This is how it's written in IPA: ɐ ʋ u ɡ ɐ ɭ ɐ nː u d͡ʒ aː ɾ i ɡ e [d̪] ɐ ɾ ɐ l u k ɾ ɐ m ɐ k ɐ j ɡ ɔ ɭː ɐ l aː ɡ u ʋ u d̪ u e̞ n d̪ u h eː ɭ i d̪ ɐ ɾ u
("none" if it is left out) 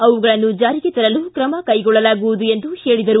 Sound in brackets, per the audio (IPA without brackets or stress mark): t̪